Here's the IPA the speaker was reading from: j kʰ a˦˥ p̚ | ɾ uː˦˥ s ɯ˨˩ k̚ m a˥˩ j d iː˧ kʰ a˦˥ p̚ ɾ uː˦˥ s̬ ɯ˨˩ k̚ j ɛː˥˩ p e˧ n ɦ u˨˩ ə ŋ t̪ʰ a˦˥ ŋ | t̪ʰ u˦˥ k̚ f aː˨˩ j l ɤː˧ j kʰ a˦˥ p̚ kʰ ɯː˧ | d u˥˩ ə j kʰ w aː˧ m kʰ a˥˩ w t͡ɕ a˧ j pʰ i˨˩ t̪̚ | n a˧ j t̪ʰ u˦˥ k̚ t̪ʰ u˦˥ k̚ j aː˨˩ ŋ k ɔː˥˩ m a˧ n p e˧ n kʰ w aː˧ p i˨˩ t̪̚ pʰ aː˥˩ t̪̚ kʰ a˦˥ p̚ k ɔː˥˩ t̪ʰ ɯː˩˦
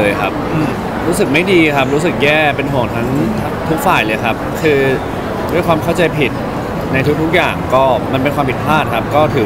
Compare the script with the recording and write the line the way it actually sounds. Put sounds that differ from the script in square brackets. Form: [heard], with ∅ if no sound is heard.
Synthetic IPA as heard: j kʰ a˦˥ p̚ | ɾ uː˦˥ s ɯ˨˩ k̚ m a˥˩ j d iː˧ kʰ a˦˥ p̚ ɾ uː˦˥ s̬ ɯ˨˩ k̚ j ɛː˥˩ p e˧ n ɦ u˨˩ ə ŋ t̪ʰ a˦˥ ŋ | t̪ʰ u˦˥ k̚ f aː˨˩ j l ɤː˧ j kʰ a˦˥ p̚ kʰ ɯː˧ | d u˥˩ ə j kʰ w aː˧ m kʰ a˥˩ w t͡ɕ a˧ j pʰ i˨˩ t̪̚ | n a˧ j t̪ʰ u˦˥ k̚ t̪ʰ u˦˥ k̚ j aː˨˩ ŋ k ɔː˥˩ m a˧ n p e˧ n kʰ w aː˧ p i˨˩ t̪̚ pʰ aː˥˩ t̪̚ kʰ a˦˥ p̚ k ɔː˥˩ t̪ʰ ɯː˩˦